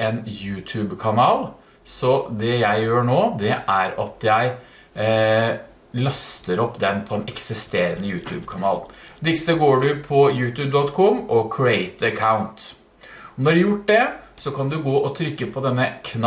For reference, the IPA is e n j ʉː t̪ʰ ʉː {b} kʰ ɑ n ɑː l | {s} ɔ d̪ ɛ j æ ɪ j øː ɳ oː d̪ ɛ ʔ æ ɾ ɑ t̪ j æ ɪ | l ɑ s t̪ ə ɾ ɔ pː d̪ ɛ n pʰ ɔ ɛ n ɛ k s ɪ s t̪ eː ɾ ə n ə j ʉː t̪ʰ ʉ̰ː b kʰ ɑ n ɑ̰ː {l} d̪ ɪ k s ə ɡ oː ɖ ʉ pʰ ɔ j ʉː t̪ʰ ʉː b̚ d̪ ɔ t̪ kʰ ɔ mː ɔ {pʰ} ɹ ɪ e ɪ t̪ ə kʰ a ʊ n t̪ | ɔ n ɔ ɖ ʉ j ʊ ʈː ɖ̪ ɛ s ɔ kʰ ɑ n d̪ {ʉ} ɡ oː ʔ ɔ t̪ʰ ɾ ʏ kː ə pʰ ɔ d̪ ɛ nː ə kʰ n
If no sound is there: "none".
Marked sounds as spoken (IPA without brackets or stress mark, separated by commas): b, s, l, kʰ, ʉ